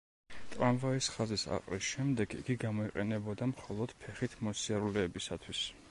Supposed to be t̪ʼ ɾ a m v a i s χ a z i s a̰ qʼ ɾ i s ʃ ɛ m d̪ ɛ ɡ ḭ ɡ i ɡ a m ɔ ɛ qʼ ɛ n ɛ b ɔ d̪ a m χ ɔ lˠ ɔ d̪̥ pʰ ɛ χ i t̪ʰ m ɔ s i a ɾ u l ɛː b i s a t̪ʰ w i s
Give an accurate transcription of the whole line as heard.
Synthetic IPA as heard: t̪ʼ ɾ a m v a i s χ a z i s a̰ qʼ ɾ i s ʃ ɛ m d̪ ɛ ɡ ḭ ɡ i ɡ a m ɔ i qʼ ɛ n ɛ b ɔ d̪ a m χ ɔ lˠ ɔ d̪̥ pʰ ɛ χ i t̪ʰ m ɔ s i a ɾ u l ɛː b i s a t̪ʰ w i s